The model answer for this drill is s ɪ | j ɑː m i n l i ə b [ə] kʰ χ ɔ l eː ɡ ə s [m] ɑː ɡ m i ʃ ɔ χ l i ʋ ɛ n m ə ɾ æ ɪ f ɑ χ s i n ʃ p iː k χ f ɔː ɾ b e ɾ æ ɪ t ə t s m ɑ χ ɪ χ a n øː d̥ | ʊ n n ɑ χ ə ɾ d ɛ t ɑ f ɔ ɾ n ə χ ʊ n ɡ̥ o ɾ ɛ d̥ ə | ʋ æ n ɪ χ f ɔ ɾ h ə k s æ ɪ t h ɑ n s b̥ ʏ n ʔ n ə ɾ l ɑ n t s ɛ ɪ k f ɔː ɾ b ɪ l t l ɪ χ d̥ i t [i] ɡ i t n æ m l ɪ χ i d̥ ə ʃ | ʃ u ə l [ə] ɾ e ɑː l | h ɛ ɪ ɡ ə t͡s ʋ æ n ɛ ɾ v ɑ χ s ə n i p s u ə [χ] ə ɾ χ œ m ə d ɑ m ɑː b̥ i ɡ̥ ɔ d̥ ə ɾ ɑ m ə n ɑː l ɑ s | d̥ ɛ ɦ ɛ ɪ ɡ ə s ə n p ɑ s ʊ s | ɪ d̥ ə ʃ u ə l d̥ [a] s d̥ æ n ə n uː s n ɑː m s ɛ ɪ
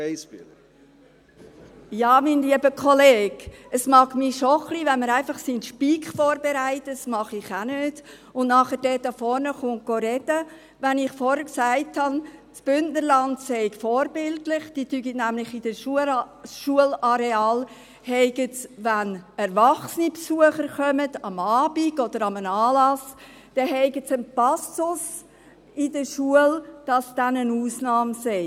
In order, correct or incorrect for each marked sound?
correct, correct, incorrect, incorrect, correct, incorrect

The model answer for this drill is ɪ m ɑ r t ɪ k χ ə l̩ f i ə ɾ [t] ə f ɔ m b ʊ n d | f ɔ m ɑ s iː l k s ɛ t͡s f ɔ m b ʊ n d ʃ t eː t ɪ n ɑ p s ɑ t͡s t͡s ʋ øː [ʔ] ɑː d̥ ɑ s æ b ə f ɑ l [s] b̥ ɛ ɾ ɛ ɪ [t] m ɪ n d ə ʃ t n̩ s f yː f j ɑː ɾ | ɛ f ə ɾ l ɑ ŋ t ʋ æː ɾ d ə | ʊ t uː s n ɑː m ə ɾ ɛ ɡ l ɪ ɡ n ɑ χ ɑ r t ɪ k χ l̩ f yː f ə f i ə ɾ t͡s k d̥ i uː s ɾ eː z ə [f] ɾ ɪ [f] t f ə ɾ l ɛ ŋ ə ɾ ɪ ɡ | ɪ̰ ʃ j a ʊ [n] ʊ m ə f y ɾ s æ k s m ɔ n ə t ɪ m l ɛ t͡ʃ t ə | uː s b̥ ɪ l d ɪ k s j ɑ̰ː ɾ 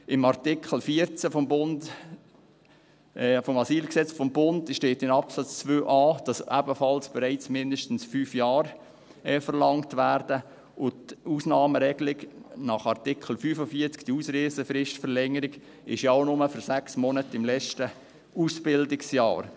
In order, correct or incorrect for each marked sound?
incorrect, correct, correct, incorrect, correct, incorrect, correct

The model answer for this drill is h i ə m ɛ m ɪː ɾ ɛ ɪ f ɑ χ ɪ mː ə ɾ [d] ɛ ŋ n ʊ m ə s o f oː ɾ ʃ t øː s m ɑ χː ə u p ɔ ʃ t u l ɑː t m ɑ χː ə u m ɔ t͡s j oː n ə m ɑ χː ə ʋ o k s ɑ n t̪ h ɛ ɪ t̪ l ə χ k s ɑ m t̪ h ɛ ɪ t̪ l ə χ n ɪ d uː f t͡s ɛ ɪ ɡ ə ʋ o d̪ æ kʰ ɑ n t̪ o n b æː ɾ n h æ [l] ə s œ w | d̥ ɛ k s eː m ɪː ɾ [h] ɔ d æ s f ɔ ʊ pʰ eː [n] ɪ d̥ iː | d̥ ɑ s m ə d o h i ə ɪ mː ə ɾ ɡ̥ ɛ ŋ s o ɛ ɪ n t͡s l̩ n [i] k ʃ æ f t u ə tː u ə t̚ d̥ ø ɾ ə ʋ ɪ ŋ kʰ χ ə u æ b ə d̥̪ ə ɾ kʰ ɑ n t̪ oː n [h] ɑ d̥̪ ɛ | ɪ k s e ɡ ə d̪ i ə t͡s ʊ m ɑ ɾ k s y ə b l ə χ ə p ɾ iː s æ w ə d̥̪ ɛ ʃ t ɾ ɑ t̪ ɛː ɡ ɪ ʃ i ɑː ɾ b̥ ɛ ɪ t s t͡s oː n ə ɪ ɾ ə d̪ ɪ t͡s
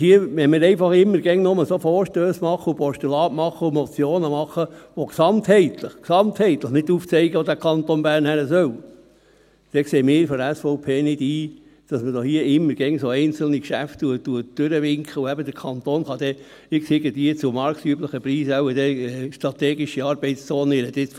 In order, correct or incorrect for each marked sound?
incorrect, incorrect, incorrect, correct, correct, incorrect

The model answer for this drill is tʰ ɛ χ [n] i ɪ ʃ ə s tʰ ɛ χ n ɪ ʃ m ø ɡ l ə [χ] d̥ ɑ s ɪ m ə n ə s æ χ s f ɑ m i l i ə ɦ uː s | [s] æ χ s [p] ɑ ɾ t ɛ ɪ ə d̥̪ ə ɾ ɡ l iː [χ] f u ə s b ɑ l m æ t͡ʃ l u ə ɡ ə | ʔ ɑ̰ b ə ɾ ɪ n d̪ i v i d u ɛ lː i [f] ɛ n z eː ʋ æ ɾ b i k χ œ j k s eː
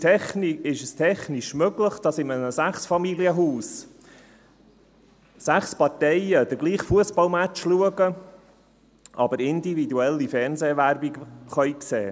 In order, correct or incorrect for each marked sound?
correct, correct, correct, correct, correct, correct

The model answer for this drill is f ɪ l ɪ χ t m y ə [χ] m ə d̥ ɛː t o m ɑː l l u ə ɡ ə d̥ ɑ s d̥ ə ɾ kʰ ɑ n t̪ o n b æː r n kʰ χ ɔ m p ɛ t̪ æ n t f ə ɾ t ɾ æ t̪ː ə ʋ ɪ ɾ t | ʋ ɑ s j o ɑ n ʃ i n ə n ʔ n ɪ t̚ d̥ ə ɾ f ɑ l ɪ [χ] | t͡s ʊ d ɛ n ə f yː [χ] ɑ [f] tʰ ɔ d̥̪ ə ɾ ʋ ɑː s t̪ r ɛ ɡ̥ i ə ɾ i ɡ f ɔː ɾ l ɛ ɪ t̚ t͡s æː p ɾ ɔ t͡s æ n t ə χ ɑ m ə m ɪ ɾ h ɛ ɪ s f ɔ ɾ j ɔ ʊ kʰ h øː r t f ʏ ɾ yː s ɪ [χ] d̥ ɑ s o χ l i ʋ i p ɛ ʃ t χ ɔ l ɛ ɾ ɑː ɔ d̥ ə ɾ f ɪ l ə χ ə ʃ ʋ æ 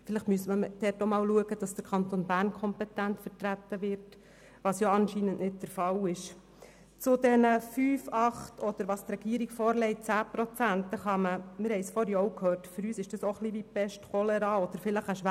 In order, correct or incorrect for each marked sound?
incorrect, incorrect, incorrect, incorrect, incorrect

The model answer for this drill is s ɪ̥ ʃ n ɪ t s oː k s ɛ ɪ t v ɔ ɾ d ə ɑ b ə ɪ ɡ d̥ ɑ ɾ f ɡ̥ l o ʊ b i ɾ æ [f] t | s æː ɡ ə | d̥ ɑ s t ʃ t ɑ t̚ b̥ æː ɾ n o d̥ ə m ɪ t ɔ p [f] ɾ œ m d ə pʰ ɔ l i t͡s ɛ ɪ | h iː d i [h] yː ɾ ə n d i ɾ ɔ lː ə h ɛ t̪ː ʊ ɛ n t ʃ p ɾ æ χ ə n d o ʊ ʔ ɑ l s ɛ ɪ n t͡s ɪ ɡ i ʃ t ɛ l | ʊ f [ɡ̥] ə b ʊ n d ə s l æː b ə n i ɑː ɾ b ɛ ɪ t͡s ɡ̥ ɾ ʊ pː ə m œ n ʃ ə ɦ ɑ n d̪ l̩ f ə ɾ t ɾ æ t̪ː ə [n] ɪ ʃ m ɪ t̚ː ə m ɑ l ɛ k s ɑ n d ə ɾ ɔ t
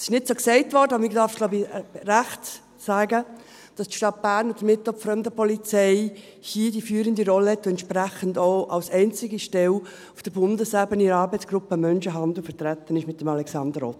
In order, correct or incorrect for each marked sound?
incorrect, correct, incorrect, incorrect, correct

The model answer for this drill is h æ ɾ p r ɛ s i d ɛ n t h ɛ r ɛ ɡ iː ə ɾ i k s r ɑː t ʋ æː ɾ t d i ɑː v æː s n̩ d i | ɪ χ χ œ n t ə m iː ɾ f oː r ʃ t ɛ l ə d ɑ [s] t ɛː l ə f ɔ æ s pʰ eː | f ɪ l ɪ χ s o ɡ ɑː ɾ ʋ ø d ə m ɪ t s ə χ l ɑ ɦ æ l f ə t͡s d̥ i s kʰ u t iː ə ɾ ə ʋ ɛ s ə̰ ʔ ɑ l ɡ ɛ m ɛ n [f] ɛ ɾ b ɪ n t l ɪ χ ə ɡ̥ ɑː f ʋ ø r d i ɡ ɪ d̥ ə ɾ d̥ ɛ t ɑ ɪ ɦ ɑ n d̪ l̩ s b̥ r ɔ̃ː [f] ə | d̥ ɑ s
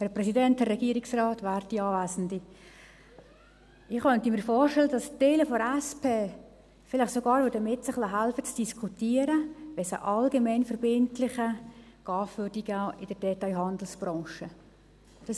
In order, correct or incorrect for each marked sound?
correct, correct, incorrect

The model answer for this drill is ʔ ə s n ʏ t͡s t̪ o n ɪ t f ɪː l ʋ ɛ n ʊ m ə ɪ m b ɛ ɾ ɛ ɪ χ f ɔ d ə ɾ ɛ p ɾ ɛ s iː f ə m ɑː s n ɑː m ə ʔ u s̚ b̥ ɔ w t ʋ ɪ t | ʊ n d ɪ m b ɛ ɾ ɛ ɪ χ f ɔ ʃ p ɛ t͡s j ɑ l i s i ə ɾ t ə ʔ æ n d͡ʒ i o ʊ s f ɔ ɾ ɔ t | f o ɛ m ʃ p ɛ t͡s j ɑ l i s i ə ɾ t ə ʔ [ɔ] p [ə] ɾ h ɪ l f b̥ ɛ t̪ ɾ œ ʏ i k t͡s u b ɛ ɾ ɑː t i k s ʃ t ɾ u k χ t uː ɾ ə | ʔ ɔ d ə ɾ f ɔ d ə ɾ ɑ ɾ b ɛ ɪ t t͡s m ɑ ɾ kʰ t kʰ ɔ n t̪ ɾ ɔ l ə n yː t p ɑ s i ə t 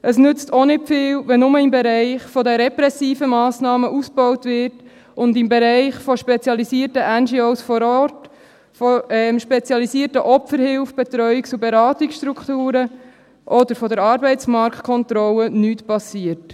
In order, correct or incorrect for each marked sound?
correct, correct

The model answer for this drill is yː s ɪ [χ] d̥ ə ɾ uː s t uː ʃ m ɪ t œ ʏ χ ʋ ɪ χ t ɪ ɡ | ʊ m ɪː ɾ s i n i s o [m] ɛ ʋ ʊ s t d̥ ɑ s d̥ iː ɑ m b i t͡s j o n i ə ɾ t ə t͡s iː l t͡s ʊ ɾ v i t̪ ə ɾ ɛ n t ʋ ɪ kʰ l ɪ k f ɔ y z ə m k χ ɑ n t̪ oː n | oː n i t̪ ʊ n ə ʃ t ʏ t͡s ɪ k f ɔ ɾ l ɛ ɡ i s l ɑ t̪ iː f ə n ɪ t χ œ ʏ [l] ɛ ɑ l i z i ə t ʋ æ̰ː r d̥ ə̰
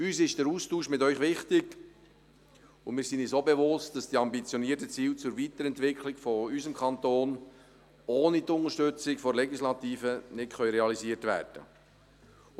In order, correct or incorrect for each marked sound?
incorrect, incorrect, incorrect

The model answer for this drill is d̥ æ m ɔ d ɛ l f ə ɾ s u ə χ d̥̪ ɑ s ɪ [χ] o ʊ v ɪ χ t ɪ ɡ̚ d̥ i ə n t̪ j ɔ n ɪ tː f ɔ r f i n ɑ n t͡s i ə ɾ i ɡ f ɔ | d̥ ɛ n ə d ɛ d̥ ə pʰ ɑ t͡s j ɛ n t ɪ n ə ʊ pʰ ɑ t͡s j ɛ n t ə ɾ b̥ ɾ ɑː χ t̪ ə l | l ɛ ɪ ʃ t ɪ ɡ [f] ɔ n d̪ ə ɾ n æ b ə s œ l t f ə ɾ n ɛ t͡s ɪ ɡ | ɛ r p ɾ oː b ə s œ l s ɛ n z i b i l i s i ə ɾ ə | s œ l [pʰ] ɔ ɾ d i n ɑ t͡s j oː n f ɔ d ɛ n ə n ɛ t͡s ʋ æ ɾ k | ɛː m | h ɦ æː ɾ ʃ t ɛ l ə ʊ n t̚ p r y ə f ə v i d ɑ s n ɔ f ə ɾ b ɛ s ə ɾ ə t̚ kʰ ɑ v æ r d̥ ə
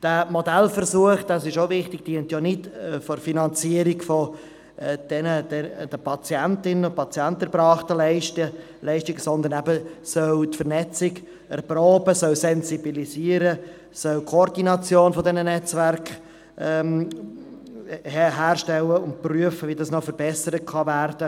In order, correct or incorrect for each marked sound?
incorrect, incorrect, incorrect

